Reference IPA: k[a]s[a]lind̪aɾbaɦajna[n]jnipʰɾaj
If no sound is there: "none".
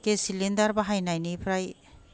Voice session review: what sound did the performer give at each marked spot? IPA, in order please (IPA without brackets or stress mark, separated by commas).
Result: e, i, none